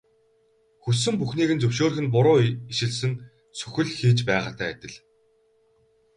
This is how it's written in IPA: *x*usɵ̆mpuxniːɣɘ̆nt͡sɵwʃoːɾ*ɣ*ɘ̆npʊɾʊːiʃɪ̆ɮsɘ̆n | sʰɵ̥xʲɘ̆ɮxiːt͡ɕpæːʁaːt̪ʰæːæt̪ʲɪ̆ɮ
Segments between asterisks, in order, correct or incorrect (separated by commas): correct, incorrect